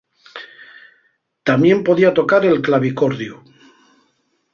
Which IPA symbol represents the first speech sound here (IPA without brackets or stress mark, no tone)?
t̪